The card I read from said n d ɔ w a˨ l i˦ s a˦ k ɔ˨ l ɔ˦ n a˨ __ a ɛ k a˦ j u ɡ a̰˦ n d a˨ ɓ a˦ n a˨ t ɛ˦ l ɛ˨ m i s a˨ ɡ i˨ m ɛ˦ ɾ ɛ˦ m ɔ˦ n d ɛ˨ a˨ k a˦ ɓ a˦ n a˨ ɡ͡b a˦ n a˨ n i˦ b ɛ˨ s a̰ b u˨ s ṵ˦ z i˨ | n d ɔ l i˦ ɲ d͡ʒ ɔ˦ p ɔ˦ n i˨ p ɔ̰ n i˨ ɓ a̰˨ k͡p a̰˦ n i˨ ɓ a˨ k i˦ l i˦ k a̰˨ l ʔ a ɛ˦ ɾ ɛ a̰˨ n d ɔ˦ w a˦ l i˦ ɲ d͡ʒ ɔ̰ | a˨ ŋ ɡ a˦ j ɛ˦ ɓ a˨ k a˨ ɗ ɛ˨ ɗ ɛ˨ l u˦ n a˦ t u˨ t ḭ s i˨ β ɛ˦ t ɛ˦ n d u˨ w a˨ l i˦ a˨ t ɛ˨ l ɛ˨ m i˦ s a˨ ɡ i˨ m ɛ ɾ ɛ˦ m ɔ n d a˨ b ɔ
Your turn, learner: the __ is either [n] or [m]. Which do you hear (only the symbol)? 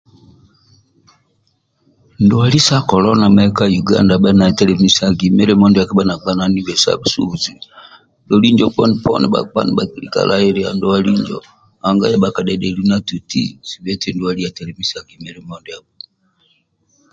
m